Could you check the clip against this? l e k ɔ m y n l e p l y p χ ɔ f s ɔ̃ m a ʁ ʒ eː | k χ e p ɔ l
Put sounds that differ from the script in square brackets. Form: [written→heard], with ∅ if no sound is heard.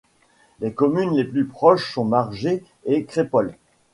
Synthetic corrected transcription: l e k ɔ m y n l e p l y p χ ɔ [f→ʃ] s ɔ̃ m a ʁ ʒ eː | k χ e p ɔ l